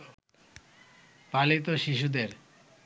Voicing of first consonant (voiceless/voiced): voiceless